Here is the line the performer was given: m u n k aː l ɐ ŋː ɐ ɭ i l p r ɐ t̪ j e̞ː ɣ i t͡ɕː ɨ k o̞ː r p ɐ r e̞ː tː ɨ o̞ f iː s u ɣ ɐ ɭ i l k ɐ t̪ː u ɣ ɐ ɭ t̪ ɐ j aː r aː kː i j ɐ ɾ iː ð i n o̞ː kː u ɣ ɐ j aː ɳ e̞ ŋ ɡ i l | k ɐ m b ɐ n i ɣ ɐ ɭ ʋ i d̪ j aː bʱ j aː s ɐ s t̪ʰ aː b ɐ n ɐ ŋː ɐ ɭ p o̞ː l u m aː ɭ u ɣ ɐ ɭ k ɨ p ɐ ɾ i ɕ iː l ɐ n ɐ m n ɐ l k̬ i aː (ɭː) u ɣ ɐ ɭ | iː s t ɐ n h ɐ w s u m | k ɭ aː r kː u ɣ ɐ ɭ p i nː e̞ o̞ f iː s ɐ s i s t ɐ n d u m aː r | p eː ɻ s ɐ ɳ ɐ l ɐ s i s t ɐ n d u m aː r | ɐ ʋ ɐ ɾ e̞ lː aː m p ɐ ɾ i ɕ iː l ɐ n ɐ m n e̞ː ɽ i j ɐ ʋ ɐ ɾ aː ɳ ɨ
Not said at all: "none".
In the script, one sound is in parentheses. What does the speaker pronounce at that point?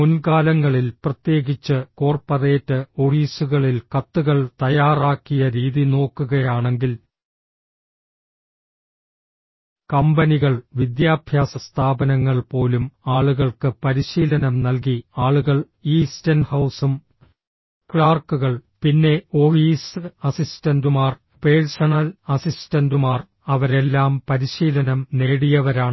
ɭ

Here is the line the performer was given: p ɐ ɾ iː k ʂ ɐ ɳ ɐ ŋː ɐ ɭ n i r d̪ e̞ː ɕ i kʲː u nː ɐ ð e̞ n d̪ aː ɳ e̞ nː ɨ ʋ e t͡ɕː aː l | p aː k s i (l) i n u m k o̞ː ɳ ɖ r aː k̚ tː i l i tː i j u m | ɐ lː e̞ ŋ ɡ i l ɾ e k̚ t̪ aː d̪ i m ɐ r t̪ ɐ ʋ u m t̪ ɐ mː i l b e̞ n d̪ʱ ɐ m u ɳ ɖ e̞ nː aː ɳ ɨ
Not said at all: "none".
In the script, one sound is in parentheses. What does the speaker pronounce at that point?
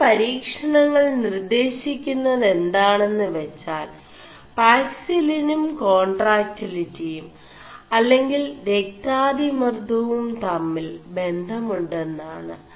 l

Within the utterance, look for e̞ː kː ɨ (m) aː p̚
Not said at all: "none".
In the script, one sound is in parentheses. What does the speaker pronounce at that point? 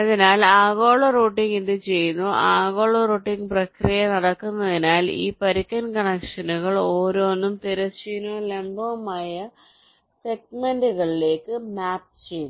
m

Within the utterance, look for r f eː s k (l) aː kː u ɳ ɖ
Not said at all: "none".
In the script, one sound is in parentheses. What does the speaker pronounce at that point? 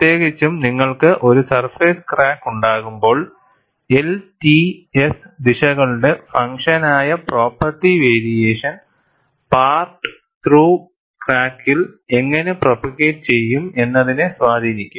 r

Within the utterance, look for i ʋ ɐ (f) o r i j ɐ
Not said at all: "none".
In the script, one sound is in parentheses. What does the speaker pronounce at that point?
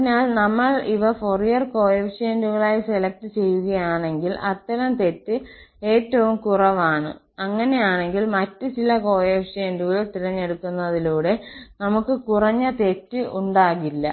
f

